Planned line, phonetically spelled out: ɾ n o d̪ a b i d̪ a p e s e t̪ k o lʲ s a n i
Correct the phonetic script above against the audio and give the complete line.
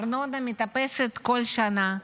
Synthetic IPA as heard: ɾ n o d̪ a m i t̪ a p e s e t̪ k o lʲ ʃ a n a